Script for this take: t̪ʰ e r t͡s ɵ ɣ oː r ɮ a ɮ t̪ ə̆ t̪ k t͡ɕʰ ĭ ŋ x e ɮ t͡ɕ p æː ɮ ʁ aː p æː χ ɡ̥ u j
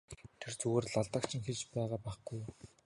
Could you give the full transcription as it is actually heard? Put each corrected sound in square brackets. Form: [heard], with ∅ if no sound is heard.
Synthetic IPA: t̪ʰ e r t͡s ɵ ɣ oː r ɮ a ɮ t̪ ə̆ [∅] k t͡ɕʰ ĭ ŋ x e ɮ t͡ɕ p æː [∅] ʁ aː p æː χ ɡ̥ u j